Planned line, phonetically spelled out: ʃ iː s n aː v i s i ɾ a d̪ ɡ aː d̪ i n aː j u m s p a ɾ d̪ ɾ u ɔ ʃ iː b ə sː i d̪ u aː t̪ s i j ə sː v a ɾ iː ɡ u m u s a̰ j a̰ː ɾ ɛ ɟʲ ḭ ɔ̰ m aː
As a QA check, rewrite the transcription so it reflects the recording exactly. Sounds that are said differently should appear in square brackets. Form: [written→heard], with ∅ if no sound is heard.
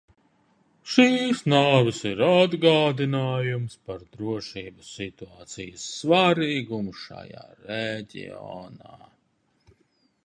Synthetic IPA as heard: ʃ iː s n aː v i s i ɾ a d̪ ɡ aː d̪ i n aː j u m s p a ɾ d̪ ɾ u ɔ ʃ iː b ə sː i [d̪→t̪] u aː t̪ s i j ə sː v a ɾ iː ɡ u m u [s→ʃ] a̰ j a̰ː ɾ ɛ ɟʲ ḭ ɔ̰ [m→n] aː